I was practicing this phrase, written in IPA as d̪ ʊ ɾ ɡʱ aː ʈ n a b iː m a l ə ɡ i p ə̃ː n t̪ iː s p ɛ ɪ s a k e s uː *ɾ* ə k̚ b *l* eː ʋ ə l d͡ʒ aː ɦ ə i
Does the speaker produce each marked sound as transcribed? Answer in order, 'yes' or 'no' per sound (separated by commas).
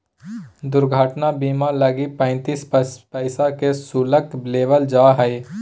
no, yes